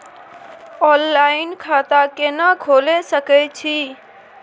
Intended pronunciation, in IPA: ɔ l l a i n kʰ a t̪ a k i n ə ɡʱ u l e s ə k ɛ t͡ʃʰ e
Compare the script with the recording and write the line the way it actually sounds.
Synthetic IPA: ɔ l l a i n kʰ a t̪ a k e n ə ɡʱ o l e s ə k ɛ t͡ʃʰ i